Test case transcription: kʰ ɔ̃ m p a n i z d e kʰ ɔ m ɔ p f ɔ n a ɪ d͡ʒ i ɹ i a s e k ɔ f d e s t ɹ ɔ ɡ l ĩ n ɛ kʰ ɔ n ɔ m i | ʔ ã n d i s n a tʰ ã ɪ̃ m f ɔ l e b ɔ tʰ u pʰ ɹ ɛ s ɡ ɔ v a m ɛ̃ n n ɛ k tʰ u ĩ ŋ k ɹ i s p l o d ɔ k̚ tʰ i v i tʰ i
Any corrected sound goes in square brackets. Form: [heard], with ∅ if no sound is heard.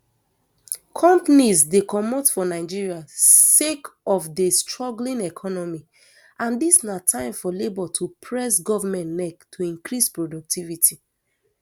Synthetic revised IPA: kʰ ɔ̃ m p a n i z d e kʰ ɔ m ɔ [t] f ɔ n a ɪ d͡ʒ i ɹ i a s e k ɔ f d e s t ɹ ɔ ɡ l ĩ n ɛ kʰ ɔ n ɔ m i | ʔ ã n d i s n a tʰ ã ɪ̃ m f ɔ l e b ɔ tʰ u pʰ ɹ ɛ s ɡ ɔ v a m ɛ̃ n n ɛ k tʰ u ĩ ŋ k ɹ i s p [ɹ] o d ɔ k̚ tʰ i v i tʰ i